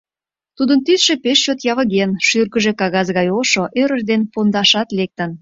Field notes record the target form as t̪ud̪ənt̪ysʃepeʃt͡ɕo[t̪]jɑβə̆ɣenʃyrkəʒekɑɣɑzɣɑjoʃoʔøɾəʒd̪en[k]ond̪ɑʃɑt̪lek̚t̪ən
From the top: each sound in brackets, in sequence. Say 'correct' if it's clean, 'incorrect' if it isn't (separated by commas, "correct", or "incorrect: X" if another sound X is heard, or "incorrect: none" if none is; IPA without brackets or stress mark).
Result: correct, incorrect: p